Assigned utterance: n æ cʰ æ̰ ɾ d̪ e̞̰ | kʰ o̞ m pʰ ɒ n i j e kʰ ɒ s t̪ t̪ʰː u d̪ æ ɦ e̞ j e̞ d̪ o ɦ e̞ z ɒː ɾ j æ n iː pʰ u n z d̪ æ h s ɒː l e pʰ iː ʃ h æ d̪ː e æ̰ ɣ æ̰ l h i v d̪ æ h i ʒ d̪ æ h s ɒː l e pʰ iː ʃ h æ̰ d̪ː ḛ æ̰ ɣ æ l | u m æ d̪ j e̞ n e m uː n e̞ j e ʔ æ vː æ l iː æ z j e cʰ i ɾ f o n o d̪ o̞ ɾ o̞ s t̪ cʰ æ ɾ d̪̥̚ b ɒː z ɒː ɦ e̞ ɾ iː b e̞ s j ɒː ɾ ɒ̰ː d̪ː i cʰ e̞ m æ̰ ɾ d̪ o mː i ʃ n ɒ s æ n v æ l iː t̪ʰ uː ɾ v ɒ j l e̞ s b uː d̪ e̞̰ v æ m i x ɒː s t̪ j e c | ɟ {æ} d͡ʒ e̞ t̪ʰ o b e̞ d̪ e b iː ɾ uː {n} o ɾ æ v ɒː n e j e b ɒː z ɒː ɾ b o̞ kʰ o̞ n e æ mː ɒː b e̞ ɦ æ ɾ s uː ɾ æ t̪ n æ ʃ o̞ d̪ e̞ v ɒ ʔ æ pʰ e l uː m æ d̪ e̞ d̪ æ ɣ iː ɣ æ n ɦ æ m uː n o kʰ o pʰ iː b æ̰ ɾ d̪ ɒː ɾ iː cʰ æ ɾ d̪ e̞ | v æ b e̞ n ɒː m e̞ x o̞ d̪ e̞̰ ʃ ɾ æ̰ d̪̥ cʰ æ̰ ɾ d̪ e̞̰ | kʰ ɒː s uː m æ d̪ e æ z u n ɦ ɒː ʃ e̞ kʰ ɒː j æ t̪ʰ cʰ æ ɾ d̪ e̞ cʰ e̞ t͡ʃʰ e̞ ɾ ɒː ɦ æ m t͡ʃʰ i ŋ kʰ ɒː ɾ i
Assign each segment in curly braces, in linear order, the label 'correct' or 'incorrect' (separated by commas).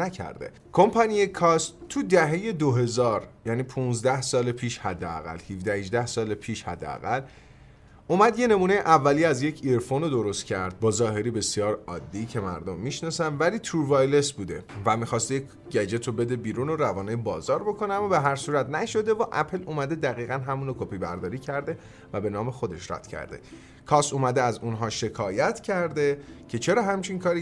correct, correct